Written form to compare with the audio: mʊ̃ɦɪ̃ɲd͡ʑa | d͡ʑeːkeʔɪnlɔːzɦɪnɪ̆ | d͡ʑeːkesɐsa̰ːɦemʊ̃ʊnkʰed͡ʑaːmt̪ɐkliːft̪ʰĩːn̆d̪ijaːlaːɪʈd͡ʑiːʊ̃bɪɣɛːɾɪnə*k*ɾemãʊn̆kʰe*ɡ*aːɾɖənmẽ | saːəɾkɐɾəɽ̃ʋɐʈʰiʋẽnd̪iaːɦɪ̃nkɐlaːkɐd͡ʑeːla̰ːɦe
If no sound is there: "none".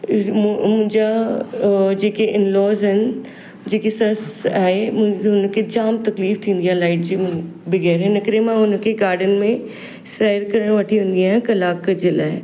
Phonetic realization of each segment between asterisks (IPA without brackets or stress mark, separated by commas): k, ɡ